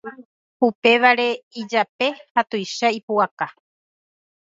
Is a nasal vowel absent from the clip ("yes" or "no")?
yes